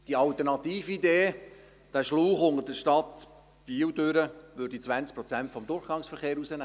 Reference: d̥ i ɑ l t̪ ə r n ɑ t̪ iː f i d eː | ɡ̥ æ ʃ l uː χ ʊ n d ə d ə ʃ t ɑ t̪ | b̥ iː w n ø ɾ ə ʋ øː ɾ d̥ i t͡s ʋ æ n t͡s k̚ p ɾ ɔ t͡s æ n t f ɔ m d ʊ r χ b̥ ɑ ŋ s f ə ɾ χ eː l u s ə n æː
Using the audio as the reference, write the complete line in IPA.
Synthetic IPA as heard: d̥ i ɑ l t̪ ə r n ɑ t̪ iː f i d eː | d̥ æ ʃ l uː χ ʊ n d ə d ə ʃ t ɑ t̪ | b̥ iː w d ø ɾ ə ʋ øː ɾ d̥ i t͡s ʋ æ n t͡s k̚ p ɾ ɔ t͡s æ n t f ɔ m d ʊ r χ ɡ̥ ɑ ŋ s f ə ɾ χ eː ɾ u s ə n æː